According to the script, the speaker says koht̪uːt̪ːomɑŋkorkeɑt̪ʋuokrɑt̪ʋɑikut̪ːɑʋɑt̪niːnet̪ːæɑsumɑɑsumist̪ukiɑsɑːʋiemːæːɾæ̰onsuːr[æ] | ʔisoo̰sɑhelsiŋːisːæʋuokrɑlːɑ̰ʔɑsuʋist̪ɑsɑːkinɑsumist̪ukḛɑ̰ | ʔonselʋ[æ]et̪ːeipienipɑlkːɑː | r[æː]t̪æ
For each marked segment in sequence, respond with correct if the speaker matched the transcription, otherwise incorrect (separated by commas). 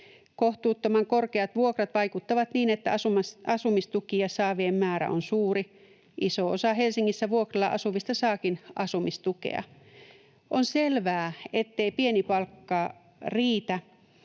incorrect, incorrect, incorrect